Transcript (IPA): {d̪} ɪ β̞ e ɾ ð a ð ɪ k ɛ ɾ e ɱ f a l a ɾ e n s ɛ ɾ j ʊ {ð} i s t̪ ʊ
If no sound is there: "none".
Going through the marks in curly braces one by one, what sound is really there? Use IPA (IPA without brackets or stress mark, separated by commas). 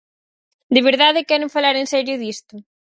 d̪, ð